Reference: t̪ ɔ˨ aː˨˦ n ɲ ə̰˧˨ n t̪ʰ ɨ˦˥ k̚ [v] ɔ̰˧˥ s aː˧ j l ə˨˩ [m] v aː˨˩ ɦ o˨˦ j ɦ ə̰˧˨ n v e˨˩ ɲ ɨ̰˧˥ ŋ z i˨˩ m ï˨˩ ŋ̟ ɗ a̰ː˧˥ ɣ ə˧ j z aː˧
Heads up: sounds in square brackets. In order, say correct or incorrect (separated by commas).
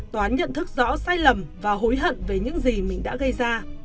incorrect, correct